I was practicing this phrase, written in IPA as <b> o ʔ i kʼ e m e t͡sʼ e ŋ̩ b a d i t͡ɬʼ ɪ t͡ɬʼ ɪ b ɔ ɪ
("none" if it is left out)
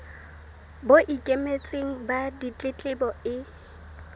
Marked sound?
b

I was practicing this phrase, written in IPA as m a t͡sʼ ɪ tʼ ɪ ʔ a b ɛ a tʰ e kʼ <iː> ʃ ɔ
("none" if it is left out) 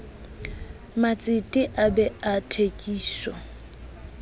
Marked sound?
iː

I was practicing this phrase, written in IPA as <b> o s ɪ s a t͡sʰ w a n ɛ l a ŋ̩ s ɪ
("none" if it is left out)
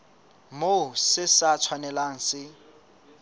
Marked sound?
m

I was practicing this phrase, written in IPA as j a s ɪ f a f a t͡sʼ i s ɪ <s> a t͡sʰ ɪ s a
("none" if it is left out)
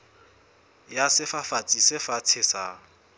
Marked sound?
f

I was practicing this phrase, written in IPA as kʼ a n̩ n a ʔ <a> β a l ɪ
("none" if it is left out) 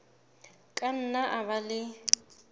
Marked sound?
a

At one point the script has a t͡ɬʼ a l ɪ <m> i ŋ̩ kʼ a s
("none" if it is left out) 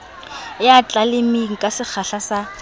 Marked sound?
m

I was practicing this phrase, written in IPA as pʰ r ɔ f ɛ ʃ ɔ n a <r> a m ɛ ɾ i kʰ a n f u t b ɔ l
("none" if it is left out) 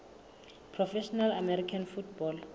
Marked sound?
l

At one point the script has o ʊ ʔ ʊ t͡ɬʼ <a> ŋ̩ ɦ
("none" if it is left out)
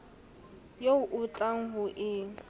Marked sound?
a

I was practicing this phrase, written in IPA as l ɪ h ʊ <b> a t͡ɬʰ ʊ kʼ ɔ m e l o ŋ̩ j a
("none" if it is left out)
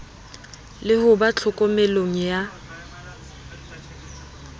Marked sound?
b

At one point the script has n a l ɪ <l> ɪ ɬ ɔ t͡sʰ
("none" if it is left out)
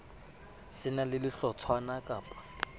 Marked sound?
l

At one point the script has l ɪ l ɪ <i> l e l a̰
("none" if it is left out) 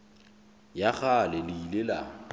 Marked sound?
i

